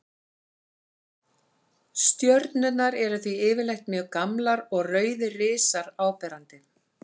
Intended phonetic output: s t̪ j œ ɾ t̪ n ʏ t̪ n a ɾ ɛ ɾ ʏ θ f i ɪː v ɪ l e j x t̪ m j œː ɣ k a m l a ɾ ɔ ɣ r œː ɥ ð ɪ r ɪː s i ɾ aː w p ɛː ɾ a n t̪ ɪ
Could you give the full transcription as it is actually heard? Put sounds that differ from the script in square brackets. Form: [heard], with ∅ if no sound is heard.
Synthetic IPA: s t̪ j œ ɾ t̪ n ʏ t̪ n a ɾ ɛ ɾ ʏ θ [v] i ɪː v ɪ l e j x t̪ m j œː ɣ k a m l a ɾ ɔ ɣ r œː ɥ ð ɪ r ɪː s [a] ɾ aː w p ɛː ɾ a n t̪ ɪ